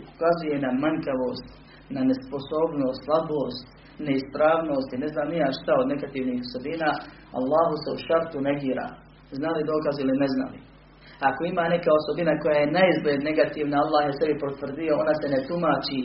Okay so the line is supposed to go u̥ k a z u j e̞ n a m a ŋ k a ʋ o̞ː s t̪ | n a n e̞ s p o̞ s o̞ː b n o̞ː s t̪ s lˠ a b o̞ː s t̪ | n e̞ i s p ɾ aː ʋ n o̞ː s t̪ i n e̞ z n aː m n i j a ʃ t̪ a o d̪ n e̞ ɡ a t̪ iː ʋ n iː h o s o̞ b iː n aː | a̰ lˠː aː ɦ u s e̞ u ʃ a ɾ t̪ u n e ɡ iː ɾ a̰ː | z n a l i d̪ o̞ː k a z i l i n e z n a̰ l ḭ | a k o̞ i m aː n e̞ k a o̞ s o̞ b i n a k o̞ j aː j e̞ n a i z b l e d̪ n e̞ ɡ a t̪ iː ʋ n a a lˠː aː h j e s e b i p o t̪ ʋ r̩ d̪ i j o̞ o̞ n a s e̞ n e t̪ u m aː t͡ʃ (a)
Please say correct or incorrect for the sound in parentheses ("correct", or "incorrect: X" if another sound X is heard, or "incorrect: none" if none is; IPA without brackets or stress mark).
incorrect: i